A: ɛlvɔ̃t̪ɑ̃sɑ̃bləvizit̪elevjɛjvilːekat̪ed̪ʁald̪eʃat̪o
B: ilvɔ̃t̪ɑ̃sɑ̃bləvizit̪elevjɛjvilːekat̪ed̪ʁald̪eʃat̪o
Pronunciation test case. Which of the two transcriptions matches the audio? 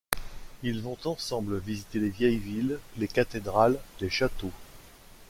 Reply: B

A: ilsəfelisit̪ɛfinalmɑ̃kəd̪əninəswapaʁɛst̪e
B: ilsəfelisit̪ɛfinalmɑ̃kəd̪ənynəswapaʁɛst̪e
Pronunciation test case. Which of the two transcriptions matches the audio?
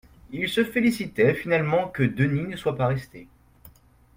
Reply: A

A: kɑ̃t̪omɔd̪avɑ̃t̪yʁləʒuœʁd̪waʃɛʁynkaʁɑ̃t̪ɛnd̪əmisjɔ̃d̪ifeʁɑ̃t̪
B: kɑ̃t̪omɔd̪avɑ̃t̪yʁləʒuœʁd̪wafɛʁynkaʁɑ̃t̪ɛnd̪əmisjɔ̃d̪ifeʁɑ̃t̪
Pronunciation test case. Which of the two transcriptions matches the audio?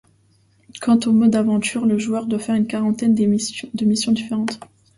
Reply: B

